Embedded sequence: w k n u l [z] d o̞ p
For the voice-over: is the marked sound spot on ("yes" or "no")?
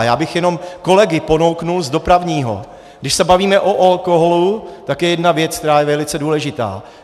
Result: yes